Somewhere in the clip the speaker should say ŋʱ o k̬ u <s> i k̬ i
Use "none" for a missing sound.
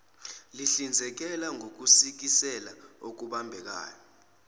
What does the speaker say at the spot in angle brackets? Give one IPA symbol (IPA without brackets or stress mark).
s